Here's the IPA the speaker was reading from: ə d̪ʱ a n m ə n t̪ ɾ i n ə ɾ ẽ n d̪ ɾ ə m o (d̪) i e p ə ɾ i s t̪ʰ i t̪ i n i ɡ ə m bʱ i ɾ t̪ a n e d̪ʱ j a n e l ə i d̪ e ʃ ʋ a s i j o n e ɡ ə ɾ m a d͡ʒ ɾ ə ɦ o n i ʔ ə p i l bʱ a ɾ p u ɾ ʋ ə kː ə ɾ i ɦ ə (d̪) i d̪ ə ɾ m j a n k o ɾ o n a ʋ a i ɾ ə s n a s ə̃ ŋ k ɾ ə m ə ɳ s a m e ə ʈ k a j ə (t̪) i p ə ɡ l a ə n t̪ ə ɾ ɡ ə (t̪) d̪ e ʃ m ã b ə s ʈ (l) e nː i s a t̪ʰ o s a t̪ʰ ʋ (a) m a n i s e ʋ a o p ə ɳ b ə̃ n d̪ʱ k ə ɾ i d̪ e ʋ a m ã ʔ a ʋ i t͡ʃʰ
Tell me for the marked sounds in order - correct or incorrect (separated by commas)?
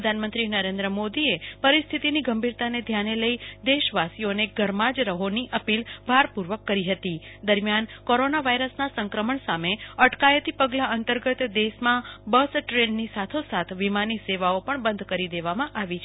correct, incorrect, correct, correct, incorrect, incorrect